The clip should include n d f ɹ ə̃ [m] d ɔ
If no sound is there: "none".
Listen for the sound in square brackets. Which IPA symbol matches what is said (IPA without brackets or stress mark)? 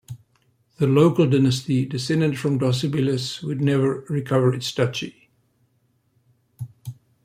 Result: m